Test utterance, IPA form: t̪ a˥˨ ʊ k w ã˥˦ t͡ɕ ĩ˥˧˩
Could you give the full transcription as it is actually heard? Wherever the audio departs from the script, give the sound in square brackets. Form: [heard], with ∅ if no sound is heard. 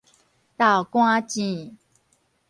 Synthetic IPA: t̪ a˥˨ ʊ k w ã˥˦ t͡ɕ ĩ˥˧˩